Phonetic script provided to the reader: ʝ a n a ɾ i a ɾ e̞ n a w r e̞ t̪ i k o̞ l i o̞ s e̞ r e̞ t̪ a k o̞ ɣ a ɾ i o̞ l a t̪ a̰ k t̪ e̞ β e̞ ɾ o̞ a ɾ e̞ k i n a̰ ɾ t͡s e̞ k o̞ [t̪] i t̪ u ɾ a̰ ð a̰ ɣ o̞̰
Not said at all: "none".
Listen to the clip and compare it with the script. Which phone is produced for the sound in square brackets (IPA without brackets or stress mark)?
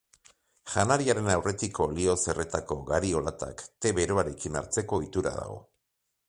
none